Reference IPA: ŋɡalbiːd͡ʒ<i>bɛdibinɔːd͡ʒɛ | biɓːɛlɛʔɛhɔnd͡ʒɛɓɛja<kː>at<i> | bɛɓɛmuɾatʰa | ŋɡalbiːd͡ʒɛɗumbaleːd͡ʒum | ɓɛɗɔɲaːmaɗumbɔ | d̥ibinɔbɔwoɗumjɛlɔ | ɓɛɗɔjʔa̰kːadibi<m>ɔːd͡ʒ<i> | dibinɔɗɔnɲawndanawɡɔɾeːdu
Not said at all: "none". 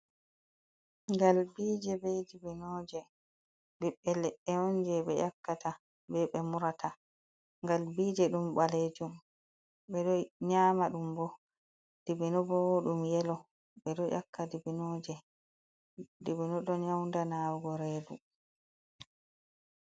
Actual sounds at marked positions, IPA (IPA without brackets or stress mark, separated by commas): ɛ, kː, a, n, ɛ